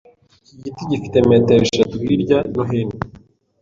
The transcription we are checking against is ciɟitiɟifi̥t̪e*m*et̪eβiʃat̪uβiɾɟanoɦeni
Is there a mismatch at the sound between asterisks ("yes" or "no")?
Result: no